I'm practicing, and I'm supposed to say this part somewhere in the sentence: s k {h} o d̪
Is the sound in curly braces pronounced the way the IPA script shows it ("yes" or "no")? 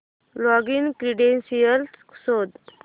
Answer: no